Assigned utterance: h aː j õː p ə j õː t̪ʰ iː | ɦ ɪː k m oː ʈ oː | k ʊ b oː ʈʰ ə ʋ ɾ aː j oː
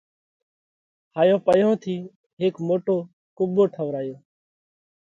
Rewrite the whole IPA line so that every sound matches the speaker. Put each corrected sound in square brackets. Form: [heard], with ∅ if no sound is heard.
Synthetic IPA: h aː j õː p ə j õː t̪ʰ iː | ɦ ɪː k m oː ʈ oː | k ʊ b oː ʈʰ ə ʋ ɾ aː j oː

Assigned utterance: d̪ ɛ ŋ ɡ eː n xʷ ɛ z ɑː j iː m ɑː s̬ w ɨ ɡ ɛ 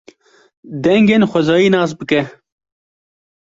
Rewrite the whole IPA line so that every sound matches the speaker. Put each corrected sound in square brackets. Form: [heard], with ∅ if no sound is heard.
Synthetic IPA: d̪ ɛ ŋ ɡ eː n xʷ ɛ z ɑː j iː [n] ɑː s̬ [b] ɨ [k] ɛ

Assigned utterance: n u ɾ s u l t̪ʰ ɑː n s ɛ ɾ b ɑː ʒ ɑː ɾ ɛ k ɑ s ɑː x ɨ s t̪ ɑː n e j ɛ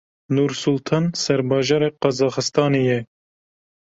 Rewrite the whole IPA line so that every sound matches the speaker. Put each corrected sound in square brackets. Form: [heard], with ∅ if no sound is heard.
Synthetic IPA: n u ɾ s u l t̪ʰ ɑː n s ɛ ɾ b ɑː ʒ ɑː ɾ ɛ [q] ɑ [z] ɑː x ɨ s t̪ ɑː n e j ɛ

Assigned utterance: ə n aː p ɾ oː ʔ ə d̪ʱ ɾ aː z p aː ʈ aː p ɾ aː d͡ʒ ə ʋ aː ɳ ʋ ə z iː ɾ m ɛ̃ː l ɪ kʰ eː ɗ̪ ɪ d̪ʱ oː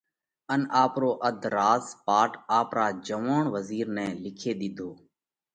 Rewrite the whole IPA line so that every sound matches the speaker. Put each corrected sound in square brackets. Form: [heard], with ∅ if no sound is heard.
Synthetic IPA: ə n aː p ɾ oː ʔ ə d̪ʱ ɾ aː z p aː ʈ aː p ɾ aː d͡ʒ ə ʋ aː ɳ ʋ ə z iː ɾ [n] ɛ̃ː l ɪ kʰ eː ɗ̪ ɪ d̪ʱ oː

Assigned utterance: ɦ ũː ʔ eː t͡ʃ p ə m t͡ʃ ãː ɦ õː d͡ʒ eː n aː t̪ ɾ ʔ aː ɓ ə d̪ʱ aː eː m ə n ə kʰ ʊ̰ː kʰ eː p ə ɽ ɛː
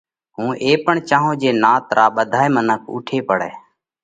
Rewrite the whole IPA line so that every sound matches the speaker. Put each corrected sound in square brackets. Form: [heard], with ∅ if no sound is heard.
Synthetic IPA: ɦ ũː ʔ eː [∅] p ə [ɳ] t͡ʃ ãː ɦ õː d͡ʒ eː n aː t̪ ɾ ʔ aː ɓ ə d̪ʱ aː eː m ə n ə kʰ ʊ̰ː [ʈʰ] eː p ə ɽ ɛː

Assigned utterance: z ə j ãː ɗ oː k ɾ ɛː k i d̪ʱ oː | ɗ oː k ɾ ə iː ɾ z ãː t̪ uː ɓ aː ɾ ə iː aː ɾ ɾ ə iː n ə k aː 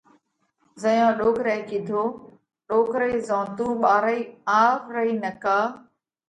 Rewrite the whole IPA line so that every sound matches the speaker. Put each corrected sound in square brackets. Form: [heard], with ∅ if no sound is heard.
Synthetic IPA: z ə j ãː ɗ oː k ɾ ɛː k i d̪ʱ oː | ɗ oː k ɾ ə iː [∅] z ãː t̪ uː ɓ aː ɾ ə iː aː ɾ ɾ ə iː n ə k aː

